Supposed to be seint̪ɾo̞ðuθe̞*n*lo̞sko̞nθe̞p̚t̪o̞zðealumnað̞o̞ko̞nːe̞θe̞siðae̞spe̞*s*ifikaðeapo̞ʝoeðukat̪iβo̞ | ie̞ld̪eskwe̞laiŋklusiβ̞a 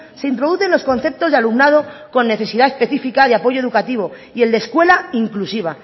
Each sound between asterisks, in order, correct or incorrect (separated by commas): correct, incorrect